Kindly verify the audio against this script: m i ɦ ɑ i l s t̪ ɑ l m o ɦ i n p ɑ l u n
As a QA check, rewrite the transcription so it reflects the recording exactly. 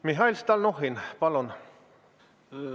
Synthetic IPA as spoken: m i ɦ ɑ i l s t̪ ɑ l n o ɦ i n p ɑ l o n